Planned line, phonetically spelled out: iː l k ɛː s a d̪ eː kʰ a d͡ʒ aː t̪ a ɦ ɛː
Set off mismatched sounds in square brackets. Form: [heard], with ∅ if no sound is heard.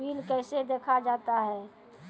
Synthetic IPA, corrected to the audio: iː l k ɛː s [e] d̪ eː kʰ a d͡ʒ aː t̪ a ɦ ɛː